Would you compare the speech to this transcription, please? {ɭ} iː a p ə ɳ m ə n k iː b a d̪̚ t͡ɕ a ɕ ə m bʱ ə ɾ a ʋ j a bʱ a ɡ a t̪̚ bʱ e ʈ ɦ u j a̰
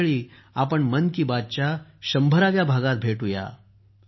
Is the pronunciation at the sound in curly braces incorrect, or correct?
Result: correct